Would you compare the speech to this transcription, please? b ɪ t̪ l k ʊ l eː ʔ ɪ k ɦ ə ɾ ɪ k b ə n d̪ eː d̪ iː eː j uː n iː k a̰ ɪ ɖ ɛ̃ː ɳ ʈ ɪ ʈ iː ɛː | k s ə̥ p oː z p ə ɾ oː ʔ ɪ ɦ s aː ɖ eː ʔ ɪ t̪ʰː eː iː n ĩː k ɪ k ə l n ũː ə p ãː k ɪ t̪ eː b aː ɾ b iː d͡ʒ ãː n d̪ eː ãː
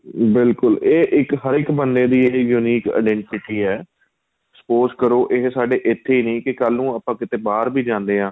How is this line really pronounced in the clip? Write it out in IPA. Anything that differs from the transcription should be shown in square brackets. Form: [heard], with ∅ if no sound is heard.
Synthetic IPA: b ɪ [∅] l k ʊ l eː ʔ ɪ k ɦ ə ɾ ɪ k b ə n d̪ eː d̪ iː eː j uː n iː k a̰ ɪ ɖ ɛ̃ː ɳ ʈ ɪ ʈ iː ɛː | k s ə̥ p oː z [k] ə ɾ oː ʔ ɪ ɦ s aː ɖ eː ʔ ɪ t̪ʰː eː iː n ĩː k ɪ k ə l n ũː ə p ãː k ɪ t̪ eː b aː ɾ b iː d͡ʒ ãː n d̪ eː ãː

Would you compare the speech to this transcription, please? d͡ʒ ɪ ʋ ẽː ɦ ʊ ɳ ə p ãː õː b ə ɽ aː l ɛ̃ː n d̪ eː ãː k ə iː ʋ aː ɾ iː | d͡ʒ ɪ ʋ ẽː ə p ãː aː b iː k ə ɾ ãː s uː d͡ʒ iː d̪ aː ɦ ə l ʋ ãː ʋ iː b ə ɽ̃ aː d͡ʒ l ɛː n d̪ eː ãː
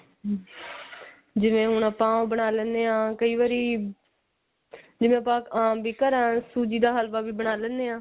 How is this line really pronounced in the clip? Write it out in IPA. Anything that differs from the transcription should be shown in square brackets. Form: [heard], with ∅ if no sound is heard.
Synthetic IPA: d͡ʒ ɪ ʋ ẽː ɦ ʊ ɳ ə p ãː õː b ə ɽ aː l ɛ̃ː n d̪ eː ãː k ə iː ʋ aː ɾ iː | d͡ʒ ɪ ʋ ẽː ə p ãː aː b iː k ə ɾ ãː s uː d͡ʒ iː d̪ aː ɦ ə l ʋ [aː] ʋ iː b ə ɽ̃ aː [∅] l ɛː n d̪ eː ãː

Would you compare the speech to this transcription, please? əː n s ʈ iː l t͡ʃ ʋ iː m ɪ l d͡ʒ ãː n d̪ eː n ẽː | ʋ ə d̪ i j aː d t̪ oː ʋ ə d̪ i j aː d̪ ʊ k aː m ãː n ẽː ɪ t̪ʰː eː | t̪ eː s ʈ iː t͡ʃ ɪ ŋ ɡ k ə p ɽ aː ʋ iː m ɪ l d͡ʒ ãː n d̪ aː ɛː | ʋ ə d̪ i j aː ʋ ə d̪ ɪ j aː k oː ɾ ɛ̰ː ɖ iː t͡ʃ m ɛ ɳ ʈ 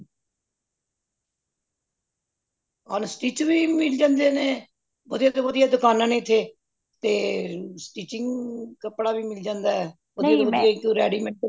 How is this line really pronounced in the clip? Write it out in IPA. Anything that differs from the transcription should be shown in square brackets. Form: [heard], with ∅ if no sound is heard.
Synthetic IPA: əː n s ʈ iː [∅] t͡ʃ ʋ iː m ɪ l d͡ʒ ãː n d̪ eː n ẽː | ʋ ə d̪ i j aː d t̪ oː ʋ ə d̪ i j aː d̪ ʊ k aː [n] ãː n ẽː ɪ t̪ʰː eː | t̪ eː s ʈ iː t͡ʃ ɪ ŋ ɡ k ə p ɽ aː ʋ iː m ɪ l d͡ʒ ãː n d̪ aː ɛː | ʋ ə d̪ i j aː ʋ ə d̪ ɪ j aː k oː ɾ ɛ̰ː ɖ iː [∅] m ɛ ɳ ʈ

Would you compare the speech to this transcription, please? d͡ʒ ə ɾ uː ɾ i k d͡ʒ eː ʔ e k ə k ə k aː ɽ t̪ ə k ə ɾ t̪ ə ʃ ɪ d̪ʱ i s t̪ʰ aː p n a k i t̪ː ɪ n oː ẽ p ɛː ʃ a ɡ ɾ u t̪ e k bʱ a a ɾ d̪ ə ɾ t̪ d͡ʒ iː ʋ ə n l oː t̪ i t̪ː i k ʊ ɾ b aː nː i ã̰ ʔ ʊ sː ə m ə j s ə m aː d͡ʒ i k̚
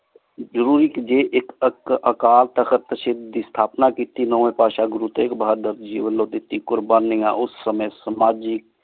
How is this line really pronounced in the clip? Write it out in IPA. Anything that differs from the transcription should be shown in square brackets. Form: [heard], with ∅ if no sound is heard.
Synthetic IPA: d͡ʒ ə ɾ uː ɾ i k d͡ʒ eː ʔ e k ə k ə k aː [l] t̪ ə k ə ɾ t̪ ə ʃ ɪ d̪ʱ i s t̪ʰ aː p n a k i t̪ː [i] n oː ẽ p [aː] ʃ a ɡ ɾ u t̪ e k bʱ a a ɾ d̪ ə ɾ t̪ d͡ʒ iː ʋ ə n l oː t̪ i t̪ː i k ʊ ɾ b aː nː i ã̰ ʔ ʊ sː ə m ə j s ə m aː d͡ʒ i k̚

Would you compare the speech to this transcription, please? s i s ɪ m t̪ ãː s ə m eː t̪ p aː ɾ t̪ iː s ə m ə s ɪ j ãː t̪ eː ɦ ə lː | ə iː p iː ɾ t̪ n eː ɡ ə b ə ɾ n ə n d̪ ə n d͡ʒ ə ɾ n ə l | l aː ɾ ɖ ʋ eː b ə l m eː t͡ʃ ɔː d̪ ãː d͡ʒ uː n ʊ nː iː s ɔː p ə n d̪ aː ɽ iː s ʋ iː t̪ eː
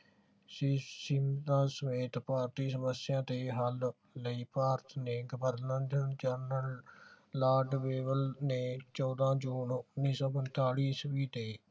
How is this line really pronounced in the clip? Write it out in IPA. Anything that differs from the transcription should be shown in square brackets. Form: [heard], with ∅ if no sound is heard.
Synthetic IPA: s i s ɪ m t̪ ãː s ə m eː t̪ p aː ɾ t̪ iː s ə m ə s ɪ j ãː t̪ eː ɦ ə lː | ə iː p [aː] ɾ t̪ n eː ɡ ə b ə ɾ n ə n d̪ ə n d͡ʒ ə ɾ n ə l | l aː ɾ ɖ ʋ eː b ə l [n] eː t͡ʃ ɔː d̪ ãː d͡ʒ uː n ʊ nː iː s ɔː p ə n [t̪] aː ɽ iː s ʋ iː t̪ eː

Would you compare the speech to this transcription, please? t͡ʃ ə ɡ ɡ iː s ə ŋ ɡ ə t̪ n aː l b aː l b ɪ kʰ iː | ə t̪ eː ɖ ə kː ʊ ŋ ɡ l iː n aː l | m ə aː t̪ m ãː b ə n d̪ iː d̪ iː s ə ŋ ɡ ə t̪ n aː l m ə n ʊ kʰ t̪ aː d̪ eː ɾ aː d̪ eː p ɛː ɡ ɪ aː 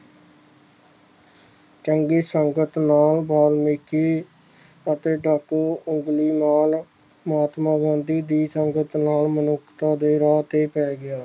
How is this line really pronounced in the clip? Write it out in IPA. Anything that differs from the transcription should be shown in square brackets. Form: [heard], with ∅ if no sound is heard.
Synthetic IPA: t͡ʃ ə [ŋ] ɡ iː s ə ŋ ɡ ə t̪ n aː l b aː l [m] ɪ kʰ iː | ə t̪ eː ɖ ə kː ʊ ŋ ɡ l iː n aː l | m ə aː t̪ m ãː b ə n d̪ iː d̪ iː s ə ŋ ɡ ə t̪ n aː l m ə n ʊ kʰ t̪ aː d̪ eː ɾ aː [t̪] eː p ɛː ɡ ɪ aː

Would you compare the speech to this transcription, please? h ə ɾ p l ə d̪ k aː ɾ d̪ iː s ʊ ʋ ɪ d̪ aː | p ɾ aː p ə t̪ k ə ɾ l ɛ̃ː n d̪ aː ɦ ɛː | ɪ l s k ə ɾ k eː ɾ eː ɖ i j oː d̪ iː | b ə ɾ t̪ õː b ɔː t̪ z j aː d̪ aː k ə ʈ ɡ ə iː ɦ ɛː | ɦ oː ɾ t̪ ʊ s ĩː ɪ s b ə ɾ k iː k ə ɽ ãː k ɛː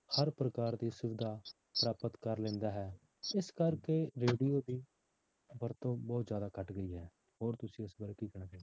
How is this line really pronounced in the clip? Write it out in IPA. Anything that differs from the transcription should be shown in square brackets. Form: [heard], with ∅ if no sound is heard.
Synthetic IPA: h ə ɾ p [ɾ] ə [∅] k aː ɾ d̪ iː s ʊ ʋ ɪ d̪ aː | p ɾ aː p ə t̪ k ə ɾ l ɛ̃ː n d̪ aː ɦ ɛː | ɪ [∅] s k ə ɾ k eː ɾ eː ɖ i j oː d̪ iː | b ə ɾ t̪ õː b ɔː t̪ z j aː d̪ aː k ə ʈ ɡ ə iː ɦ ɛː | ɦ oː ɾ t̪ ʊ s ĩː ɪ s b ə ɾ k iː k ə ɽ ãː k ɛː

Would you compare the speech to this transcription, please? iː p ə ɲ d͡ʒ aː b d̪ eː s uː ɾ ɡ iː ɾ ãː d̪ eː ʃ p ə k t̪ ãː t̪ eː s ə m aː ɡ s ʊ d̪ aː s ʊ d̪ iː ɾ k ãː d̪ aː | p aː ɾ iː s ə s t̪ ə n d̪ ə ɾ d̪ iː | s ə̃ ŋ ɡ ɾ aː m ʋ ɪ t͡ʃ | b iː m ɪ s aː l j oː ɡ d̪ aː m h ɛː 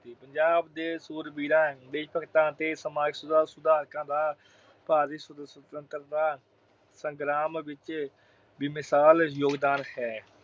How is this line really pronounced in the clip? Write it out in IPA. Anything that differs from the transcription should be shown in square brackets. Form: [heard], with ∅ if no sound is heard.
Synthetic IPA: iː p ə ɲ d͡ʒ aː b d̪ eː s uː ɾ [b] iː ɾ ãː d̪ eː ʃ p ə k t̪ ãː t̪ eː s ə m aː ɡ s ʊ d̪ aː s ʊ d̪ [aː] ɾ k ãː d̪ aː | p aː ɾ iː s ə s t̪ ə n [t̪] ə ɾ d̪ [aː] | s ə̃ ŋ ɡ ɾ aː m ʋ ɪ t͡ʃ | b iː m ɪ s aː l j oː ɡ d̪ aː [n] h ɛː

